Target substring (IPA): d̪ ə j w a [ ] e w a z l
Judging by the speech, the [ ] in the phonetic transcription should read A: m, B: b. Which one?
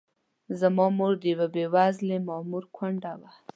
B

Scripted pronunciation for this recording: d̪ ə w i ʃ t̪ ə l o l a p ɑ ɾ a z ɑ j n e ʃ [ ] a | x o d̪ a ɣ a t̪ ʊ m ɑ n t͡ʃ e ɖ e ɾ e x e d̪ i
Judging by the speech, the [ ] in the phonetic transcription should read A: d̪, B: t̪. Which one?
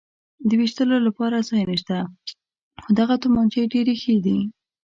B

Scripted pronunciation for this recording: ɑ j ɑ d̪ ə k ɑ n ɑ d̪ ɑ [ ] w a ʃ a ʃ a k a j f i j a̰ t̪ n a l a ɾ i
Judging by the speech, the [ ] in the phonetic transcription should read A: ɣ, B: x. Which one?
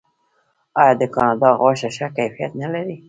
A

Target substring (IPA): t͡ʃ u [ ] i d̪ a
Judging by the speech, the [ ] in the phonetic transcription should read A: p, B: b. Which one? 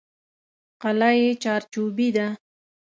B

